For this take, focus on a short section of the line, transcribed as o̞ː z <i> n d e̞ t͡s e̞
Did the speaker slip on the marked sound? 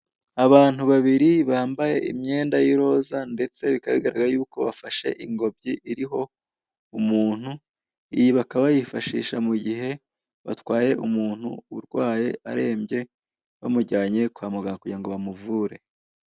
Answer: yes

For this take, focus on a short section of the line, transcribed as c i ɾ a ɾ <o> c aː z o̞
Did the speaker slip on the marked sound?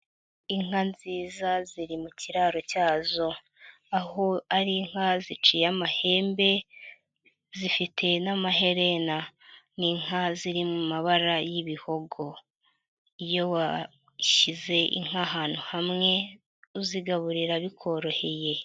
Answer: no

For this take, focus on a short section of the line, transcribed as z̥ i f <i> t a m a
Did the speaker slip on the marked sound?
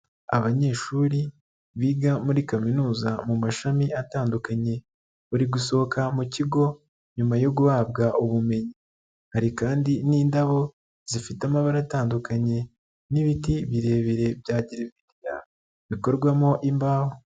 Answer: no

